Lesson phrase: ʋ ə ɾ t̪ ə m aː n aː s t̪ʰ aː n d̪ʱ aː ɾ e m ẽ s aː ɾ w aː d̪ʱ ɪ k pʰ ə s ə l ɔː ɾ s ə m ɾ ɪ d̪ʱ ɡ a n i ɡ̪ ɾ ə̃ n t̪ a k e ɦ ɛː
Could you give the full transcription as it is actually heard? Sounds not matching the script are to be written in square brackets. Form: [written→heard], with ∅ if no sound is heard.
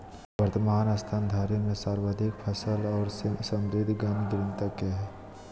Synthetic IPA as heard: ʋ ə ɾ t̪ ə m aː n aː s t̪ʰ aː n d̪ʱ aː ɾ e m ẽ s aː ɾ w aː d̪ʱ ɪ k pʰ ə s ə l ɔː ɾ s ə m ɾ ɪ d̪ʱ ɡ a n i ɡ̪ ɾ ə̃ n t̪ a k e ɦ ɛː